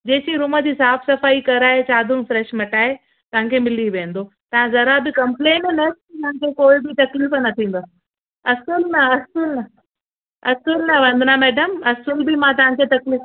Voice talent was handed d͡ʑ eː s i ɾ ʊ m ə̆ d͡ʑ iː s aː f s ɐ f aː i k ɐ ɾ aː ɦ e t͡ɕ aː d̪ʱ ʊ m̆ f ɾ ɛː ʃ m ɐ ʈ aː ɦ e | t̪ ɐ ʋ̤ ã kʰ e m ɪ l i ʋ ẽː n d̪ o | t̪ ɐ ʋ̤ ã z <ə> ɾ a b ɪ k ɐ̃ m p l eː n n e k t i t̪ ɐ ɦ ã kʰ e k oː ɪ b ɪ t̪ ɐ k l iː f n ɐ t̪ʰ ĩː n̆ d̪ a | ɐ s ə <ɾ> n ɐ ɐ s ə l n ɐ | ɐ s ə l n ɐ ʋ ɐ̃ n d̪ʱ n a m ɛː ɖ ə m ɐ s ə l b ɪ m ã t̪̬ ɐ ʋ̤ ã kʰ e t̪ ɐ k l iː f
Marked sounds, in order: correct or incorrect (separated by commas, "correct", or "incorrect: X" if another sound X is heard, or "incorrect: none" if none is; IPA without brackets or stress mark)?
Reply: incorrect: ɐ, incorrect: l